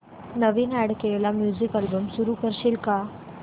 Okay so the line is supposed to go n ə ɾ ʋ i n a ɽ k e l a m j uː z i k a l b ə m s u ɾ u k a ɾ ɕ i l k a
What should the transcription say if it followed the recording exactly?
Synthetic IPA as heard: n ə ʋ i n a ɽ k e l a m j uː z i k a l b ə m s u ɾ u k ə ɾ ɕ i l k a